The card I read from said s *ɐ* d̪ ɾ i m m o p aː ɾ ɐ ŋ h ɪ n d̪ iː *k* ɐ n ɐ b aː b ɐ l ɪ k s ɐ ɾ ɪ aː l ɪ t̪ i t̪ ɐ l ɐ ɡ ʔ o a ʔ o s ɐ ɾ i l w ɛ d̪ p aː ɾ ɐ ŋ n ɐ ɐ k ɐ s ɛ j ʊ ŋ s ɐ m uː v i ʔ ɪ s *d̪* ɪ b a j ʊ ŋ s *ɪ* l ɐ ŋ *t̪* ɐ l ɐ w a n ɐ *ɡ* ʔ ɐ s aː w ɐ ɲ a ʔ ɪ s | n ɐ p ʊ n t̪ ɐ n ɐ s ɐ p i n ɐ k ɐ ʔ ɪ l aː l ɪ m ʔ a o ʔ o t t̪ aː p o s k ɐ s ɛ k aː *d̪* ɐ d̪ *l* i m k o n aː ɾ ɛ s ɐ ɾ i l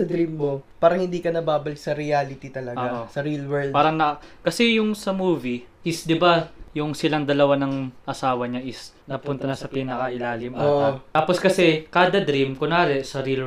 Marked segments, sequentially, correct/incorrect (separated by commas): correct, correct, correct, correct, incorrect, incorrect, correct, incorrect